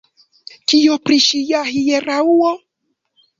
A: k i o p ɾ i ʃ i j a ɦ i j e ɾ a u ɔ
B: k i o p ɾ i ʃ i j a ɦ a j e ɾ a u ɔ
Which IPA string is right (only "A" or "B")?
A